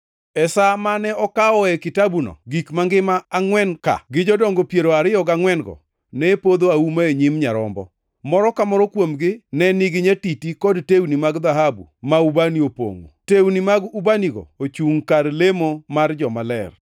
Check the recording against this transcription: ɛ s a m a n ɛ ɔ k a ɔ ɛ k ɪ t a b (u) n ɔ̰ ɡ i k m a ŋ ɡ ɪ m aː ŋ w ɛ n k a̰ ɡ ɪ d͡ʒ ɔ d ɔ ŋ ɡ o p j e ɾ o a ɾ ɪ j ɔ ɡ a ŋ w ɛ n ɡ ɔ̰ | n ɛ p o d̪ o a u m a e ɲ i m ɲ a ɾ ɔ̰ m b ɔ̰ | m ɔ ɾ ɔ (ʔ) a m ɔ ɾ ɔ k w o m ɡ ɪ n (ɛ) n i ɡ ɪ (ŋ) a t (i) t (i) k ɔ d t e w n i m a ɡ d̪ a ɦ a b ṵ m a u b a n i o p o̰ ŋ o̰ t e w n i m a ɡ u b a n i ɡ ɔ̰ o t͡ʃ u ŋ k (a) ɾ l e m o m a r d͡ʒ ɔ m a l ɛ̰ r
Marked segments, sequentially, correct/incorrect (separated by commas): correct, incorrect, correct, incorrect, correct, correct, correct